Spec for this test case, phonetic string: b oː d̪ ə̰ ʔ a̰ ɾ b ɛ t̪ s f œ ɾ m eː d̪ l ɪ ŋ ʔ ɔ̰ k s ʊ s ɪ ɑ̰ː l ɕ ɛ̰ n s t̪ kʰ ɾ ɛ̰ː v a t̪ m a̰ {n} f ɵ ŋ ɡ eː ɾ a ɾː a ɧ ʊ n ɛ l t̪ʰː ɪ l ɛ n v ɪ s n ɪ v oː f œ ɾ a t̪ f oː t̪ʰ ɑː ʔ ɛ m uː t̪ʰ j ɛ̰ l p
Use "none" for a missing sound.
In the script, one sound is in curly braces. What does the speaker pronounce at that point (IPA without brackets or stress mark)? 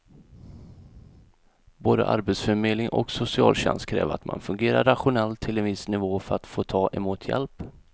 n